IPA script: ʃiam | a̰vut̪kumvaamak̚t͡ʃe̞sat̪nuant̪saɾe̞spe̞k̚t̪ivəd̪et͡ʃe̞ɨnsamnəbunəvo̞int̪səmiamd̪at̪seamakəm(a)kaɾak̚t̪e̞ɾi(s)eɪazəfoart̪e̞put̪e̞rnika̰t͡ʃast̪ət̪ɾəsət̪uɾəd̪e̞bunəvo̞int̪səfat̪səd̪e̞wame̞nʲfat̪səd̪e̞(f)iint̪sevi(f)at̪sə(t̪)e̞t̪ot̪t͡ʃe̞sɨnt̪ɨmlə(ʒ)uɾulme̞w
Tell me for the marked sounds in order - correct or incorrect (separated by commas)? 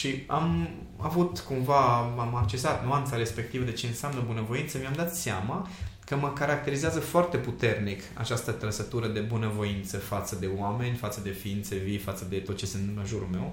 incorrect, incorrect, correct, correct, incorrect, correct